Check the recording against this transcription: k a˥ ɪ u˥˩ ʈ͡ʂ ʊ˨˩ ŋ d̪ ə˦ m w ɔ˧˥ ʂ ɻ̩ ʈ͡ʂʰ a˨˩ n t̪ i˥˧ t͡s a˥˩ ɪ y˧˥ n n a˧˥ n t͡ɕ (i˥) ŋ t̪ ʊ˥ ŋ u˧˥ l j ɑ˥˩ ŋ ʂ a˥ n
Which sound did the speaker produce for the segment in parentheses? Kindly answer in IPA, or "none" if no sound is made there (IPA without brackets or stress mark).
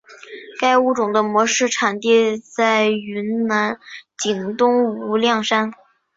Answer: i˨˩